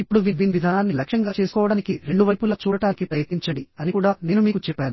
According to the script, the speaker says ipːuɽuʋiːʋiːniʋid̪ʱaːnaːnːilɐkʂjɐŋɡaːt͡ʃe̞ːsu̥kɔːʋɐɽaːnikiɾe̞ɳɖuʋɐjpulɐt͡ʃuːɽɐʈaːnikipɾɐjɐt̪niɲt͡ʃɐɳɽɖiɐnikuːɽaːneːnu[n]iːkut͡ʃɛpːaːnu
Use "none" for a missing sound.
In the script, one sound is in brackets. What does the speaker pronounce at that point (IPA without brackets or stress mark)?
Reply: m